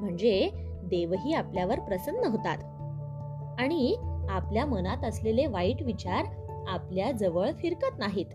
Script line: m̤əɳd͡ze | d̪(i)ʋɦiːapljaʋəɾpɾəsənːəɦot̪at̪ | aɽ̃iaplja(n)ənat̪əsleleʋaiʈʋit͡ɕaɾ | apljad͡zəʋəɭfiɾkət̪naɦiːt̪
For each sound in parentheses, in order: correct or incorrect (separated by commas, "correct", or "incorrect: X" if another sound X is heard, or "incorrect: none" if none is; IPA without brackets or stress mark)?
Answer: incorrect: e, incorrect: m